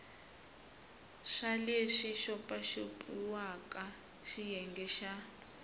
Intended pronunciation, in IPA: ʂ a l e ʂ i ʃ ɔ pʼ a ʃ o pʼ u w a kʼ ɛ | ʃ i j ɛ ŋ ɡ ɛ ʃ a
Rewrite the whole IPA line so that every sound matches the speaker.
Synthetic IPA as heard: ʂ a l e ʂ i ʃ ɔ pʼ a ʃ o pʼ u w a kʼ a | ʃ i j ɛ ŋ ɡ ɛ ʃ a

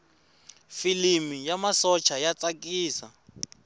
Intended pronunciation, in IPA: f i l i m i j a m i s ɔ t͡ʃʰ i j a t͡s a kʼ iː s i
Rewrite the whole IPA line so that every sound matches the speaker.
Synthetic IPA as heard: f i l i m i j a m a s ɔ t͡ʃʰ a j a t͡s a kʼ iː s a

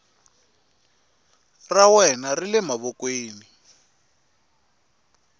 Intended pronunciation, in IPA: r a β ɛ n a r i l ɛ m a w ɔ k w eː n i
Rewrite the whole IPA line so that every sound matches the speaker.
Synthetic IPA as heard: r a w ɛ n a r i l ɛ m a β ɔ k w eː n i

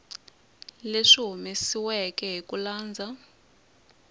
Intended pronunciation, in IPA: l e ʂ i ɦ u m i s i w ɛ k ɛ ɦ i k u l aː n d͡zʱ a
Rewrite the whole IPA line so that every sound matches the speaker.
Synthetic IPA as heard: l e ʂ i ɦ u m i s i w ɛ k ɛ ɦ i k u l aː n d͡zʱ a

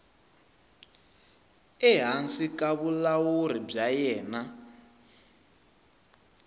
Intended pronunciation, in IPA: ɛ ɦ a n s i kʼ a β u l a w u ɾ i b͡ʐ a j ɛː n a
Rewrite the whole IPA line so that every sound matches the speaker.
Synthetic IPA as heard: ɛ ɦ a n s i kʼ a β u l a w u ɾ i b͡ʐ a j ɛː n a

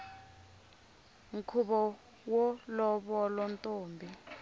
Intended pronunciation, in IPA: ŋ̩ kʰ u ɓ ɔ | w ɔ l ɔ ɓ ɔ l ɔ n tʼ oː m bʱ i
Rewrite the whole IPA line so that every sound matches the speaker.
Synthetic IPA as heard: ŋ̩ kʰ u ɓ ɔ | w ɔ l ɔ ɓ ɔ l ɔ n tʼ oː m bʱ i

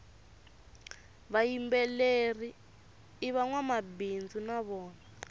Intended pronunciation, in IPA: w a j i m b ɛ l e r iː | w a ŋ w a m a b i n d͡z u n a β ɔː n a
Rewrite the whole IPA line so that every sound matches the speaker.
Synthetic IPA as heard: β a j i m b ɛ l e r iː | β a ŋ w a m a b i n d͡z u n a β ɔː n a

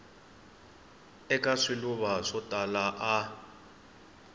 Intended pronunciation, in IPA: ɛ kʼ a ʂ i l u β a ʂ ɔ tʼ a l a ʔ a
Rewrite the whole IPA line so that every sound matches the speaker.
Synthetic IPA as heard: ɛ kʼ a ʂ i l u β a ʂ ɔ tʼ a l a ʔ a

